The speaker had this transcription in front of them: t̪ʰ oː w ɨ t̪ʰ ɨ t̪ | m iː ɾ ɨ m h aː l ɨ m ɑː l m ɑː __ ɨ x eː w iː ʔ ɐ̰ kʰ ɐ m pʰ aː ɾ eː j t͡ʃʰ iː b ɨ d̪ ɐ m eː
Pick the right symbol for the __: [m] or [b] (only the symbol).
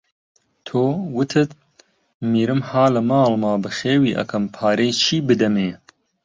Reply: b